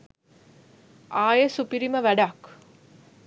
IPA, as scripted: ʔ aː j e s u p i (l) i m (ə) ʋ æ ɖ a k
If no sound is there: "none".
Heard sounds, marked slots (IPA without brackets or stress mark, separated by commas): ɾ, ə